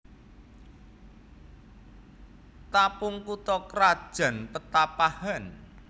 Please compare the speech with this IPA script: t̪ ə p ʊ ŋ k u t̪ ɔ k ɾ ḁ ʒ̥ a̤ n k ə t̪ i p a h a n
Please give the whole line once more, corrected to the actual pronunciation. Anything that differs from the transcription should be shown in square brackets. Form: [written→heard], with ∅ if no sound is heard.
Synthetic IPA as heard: t̪ [ə→a] p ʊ ŋ k u t̪ ɔ k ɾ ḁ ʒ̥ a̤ n [k→p] ə t̪ [i→a] p a h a n